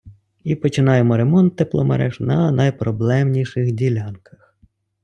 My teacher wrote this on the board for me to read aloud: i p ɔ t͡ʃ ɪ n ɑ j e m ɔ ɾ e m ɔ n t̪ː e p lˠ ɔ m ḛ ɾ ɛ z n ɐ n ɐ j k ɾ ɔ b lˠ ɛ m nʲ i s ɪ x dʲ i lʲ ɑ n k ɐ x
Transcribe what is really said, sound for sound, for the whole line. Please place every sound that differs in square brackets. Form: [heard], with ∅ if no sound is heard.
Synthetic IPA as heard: i p ɔ t͡ʃ ɪ n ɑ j e m ɔ ɾ e m ɔ n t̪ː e p lˠ ɔ m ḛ ɾ ɛ [ʒ] n ɐ n ɐ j [p] ɾ ɔ b lˠ ɛ m nʲ i [ʃ] ɪ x dʲ i lʲ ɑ n k ɐ x